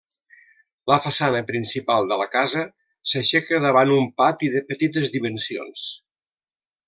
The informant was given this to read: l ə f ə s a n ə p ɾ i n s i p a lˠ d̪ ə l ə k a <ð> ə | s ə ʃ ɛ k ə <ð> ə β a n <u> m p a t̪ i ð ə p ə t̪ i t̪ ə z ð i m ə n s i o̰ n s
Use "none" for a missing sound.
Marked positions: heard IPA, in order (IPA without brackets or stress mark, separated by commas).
z, ð, u